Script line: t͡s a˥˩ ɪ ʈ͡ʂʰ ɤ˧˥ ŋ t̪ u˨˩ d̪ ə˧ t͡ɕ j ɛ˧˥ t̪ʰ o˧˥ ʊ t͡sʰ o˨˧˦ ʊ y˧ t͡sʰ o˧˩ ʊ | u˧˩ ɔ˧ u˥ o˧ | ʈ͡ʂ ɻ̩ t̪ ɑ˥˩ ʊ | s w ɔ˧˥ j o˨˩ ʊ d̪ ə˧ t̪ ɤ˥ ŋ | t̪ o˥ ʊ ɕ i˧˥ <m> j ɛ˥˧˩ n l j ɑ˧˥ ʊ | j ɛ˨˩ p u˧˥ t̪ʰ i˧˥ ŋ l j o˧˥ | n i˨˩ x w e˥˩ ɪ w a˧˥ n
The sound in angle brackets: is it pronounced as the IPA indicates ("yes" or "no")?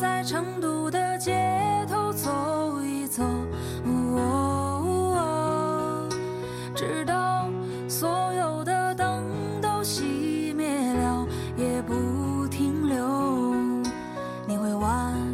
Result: yes